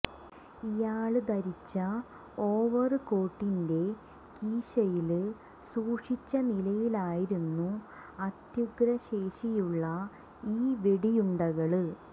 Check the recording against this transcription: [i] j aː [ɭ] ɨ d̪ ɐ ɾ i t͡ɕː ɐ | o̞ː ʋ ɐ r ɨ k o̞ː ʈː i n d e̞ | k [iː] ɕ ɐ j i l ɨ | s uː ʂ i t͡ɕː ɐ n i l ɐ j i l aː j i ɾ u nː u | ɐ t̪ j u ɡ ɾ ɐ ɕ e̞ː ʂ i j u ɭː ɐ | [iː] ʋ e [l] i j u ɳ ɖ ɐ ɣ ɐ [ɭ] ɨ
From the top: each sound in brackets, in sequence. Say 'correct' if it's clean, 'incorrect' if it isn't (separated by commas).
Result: correct, correct, correct, correct, incorrect, correct